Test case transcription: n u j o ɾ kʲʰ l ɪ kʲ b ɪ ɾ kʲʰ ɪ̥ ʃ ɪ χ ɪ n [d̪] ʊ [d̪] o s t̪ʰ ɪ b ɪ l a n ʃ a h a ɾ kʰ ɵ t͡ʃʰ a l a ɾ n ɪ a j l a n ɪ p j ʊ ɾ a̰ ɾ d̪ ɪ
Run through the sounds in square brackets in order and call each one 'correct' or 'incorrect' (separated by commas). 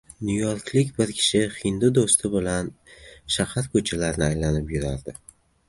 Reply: correct, correct